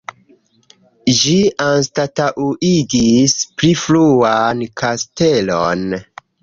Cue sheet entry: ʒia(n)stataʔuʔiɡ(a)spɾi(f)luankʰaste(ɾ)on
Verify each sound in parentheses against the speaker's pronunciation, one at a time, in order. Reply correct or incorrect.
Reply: correct, incorrect: i, correct, incorrect: l

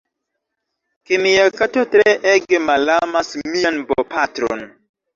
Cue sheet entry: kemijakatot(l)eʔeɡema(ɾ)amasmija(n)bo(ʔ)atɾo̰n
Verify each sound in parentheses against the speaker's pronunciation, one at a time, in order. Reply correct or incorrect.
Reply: incorrect: ɾ, incorrect: l, correct, incorrect: p

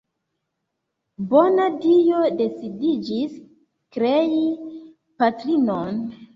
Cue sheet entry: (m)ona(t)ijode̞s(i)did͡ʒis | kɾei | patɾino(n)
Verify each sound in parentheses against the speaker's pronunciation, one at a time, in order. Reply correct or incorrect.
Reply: incorrect: b, incorrect: d, correct, correct

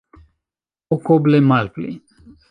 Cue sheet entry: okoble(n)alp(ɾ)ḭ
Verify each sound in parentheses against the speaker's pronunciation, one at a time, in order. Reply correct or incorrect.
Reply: incorrect: m, incorrect: l

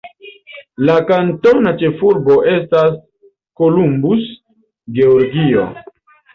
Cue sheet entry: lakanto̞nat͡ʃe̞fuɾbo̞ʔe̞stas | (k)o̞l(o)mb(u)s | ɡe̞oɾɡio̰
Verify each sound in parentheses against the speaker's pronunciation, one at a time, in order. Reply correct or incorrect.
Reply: correct, incorrect: u, correct

